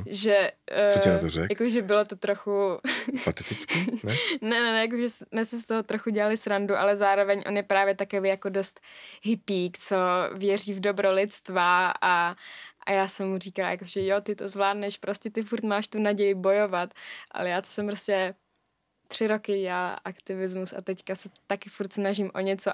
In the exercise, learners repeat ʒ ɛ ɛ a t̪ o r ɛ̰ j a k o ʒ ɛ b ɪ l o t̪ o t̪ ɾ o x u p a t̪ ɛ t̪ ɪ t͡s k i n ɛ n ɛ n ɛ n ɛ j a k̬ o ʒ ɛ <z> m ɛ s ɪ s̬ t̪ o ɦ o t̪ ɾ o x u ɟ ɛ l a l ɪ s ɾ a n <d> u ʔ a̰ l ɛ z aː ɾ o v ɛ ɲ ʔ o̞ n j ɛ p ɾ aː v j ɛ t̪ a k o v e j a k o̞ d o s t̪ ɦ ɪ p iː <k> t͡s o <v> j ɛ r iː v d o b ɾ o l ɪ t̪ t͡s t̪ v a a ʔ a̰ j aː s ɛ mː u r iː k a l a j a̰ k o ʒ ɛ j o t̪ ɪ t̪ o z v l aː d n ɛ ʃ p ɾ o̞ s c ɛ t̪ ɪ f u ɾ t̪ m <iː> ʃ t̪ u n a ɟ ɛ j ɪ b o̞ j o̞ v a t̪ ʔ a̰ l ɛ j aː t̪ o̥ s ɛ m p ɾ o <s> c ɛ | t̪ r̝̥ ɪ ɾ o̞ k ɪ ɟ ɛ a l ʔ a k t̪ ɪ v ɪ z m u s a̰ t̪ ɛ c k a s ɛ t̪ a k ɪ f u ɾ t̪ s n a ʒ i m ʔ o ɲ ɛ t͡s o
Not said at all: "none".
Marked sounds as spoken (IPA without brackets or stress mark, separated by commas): s, d, k, v, aː, s